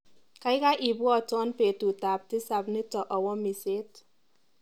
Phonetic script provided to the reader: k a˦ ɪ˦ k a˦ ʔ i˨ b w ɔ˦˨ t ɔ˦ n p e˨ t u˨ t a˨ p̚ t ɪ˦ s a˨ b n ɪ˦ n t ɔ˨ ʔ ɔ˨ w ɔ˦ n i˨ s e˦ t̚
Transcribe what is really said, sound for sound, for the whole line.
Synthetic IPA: k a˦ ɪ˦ k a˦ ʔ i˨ b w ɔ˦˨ t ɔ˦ n p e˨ t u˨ t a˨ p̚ t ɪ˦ s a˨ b n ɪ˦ t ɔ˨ ʔ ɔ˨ w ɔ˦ m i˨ s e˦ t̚